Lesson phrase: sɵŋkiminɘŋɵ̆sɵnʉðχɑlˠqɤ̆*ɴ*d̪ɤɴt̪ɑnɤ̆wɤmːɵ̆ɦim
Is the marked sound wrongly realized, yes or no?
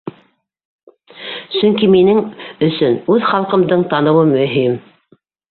yes